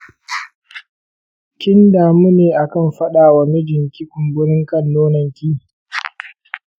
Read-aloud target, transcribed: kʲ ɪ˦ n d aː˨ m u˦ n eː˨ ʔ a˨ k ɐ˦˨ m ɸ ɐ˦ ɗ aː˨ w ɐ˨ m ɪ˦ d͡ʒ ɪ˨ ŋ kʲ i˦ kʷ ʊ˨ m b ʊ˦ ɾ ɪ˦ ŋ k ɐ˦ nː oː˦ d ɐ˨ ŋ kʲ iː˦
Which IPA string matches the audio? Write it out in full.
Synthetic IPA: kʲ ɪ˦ n d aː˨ m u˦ n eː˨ ʔ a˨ k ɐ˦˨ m ɸ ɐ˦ ɗ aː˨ w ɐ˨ m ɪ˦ d͡ʒ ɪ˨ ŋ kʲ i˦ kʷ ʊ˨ m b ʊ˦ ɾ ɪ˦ ŋ k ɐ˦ nː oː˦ n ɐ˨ ŋ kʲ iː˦